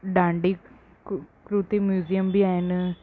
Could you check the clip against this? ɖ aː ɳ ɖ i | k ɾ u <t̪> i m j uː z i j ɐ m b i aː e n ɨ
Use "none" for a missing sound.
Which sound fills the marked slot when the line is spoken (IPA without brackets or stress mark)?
t̪